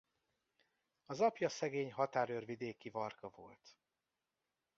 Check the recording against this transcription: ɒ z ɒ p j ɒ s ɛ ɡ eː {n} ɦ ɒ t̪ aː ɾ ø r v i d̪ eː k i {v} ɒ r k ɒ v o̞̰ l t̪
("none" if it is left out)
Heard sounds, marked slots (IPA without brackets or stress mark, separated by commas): ɲ, v